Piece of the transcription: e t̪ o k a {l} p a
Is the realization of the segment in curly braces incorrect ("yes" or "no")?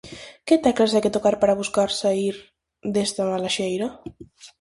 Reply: yes